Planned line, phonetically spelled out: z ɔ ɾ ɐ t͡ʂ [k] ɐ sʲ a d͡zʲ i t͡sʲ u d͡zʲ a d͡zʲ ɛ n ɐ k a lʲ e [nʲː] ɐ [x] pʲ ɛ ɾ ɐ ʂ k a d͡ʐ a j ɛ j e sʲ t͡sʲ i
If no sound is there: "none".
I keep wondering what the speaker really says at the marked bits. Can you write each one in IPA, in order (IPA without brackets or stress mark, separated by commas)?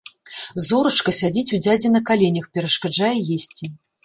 k, nʲ, x